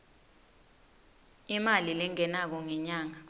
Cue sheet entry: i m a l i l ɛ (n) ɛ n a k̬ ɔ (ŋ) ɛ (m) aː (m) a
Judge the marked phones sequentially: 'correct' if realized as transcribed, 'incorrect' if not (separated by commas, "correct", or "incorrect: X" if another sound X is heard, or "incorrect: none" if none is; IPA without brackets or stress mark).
incorrect: ŋ, correct, incorrect: ɲ, incorrect: ŋ